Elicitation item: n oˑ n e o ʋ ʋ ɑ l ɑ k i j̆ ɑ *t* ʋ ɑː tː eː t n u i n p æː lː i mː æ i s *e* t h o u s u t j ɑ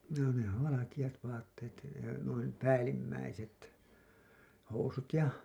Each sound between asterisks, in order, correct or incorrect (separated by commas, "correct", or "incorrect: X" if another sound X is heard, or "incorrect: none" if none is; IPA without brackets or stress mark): correct, correct